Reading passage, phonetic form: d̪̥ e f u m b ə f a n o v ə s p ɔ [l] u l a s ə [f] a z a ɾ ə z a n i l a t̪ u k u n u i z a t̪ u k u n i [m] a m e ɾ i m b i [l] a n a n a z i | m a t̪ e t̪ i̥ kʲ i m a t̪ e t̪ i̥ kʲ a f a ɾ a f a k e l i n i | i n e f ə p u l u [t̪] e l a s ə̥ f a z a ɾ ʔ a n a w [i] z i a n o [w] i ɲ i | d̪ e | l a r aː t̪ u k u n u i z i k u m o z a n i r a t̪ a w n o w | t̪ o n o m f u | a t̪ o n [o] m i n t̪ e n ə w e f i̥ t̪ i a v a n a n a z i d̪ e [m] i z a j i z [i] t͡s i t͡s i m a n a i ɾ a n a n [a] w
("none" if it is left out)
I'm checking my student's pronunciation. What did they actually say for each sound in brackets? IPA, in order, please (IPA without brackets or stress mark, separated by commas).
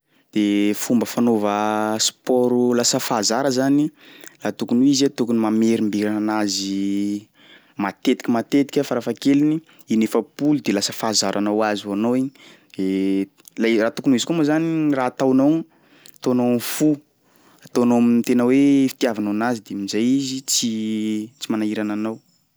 ɾ, f, m, ɾ, d̪, a, w, o, m, i, a